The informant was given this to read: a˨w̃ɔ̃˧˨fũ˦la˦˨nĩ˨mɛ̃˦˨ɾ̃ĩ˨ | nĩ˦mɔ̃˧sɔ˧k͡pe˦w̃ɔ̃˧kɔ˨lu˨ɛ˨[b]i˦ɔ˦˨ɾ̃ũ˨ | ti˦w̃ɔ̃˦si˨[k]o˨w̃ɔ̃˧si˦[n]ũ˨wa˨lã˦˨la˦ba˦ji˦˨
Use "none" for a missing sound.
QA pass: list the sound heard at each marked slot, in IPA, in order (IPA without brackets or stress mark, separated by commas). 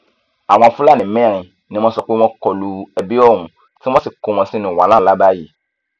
b, k, n